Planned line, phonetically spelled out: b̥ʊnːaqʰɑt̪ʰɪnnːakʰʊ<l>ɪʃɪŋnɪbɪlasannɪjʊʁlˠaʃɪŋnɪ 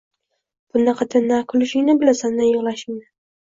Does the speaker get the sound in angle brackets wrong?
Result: no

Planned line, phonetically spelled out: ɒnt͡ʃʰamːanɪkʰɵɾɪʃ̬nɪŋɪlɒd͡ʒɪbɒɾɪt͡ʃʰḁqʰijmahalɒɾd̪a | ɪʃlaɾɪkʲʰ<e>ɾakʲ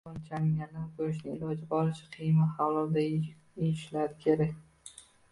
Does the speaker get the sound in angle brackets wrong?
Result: no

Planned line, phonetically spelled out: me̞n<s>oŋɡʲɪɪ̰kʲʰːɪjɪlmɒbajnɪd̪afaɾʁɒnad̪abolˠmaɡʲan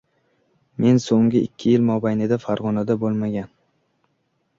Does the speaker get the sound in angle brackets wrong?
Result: no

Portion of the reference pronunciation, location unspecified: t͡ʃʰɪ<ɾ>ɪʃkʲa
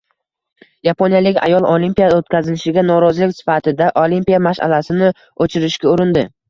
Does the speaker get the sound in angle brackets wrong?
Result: no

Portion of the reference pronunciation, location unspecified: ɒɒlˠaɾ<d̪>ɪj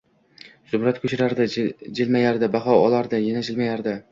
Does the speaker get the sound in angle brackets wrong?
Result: no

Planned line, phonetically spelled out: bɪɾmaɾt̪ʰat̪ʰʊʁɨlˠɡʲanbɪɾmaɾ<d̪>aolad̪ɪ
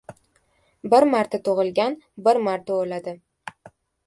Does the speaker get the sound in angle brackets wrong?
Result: yes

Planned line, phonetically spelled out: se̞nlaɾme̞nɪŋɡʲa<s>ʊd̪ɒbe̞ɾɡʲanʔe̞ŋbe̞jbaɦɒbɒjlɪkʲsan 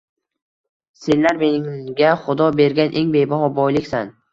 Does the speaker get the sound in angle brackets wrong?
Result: yes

